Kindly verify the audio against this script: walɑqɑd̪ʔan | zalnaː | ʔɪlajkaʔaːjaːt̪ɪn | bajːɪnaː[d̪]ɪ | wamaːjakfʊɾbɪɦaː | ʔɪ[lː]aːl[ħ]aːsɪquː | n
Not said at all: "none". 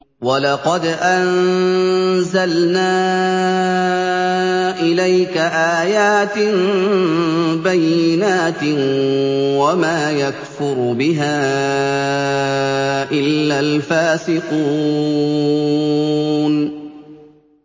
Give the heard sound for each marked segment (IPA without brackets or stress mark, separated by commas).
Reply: t̪, lː, f